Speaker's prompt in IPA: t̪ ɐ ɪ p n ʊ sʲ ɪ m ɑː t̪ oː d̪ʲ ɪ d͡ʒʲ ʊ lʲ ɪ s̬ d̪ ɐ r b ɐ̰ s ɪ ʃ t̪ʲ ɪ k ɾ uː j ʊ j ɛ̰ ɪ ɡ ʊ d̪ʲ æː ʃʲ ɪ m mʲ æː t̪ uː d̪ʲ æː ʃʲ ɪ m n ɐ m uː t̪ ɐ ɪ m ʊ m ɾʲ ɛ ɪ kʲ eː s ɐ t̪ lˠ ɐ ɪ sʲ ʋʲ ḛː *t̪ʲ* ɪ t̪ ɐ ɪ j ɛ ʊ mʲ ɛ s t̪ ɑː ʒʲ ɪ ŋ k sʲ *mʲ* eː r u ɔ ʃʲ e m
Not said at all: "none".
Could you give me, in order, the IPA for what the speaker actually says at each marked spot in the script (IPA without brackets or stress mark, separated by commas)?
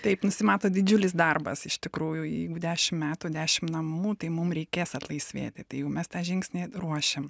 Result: t̪ʲ, nʲ